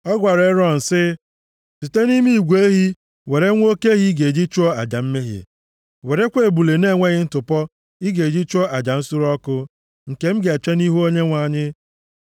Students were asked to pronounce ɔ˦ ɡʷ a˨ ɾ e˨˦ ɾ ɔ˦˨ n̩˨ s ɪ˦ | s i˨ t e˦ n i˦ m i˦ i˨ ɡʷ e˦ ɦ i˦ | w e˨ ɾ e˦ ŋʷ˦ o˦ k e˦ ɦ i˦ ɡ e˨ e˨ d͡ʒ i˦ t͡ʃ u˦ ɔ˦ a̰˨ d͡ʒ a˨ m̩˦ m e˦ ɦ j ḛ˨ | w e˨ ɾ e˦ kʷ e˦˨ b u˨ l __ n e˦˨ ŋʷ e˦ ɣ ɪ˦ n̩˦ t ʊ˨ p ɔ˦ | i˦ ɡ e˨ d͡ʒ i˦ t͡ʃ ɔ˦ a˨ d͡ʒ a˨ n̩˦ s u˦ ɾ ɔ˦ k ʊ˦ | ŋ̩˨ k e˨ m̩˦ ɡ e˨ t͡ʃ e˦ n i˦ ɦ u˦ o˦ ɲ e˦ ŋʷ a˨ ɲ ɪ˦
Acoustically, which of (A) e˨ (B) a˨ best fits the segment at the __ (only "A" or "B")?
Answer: A